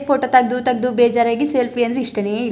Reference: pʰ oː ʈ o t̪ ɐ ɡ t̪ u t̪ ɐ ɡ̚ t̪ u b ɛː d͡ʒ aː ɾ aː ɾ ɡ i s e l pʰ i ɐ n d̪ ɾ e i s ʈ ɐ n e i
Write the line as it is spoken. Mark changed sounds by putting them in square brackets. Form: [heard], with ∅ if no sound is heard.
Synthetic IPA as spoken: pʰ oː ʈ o t̪ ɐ ɡ [d̪] u t̪ ɐ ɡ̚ [d̪] u b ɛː d͡ʒ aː ɾ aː [∅] ɡ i s e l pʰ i ɐ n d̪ ɾ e i [ʂ] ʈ ɐ n e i